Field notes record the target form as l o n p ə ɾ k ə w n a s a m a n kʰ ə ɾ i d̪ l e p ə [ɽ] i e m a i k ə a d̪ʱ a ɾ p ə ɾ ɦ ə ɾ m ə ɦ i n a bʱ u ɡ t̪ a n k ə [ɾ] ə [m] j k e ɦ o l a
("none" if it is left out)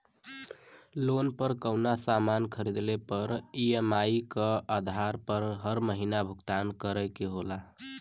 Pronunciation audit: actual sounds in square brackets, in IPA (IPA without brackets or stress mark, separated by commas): ɾ, ɾ, none